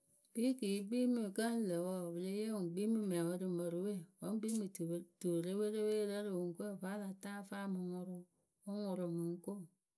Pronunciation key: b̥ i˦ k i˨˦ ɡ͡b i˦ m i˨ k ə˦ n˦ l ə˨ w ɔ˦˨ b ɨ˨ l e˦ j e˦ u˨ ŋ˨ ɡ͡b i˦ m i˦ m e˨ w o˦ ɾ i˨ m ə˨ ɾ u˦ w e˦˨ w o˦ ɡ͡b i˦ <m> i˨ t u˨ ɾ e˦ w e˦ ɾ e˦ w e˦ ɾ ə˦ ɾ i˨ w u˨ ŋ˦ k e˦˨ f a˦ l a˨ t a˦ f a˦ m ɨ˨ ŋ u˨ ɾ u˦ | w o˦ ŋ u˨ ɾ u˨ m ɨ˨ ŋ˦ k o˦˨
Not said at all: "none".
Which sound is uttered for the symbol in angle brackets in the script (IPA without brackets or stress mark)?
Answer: m